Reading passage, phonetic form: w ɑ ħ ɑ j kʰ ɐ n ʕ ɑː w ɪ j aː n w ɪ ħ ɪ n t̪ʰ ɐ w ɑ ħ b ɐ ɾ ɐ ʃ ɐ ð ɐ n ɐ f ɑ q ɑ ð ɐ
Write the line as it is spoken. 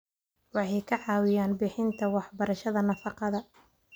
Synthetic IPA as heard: w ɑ ħ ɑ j kʰ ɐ ʕ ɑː w ɪ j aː n b ɪ ħ ɪ n t̪ʰ ɐ w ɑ ħ b ɐ ɾ ɐ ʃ ɐ ð ɐ n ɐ f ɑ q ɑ ð ɐ